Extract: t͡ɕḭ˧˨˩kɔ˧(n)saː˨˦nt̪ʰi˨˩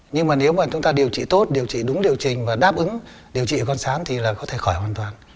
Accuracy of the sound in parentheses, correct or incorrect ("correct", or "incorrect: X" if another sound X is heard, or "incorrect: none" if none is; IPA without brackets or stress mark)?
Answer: correct